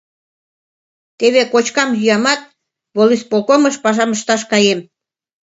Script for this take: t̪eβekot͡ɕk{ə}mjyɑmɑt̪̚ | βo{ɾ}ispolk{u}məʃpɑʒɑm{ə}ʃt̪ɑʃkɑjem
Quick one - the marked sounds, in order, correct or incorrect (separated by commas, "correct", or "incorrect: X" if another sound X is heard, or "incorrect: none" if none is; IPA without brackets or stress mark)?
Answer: incorrect: ɑ, incorrect: l, incorrect: o, correct